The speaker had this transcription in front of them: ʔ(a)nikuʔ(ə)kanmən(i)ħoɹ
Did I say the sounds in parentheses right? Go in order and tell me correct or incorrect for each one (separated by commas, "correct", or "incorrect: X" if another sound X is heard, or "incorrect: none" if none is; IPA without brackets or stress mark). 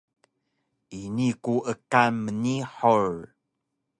incorrect: i, correct, correct